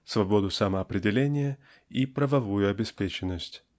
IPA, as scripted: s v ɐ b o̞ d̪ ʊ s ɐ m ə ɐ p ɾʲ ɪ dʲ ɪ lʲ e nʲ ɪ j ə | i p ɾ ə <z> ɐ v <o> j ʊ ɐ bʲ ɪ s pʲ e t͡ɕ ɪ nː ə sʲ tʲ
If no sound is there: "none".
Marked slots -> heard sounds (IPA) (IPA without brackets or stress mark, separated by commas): v, u